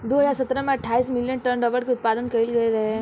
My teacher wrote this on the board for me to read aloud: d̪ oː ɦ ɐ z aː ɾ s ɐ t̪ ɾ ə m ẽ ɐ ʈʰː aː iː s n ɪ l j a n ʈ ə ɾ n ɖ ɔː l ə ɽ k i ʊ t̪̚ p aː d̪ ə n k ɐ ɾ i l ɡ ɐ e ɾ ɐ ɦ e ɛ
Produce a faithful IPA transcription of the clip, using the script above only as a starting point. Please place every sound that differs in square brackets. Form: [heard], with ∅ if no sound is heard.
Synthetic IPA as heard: d̪ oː ɦ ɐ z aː ɾ s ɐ t̪ ɾ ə m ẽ ɐ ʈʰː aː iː s [m] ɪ l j [ə] n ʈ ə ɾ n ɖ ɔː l ə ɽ k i ʊ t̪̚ p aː d̪ ə n k ɐ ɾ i l ɡ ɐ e ɾ ɐ ɦ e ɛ